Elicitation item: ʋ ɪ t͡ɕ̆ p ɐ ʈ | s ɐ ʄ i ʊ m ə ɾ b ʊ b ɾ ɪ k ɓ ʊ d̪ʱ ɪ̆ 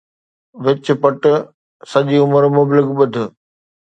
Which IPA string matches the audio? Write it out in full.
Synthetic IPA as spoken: ʋ ɪ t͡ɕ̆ p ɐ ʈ | s ɐ ʄ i ʊ m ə ɾ m ʊ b l ɪ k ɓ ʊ d̪ʱ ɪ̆